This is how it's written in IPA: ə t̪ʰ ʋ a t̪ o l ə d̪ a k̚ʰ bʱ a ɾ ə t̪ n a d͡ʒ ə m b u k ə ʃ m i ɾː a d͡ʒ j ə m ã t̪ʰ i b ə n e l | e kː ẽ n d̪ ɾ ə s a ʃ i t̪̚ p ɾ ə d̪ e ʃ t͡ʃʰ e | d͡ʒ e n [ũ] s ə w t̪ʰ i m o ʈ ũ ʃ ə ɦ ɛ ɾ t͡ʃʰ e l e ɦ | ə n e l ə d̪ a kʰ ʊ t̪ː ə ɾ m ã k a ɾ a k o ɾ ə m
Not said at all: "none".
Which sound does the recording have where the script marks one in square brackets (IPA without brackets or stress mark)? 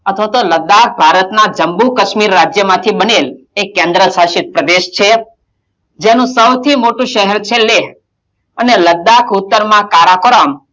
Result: ũ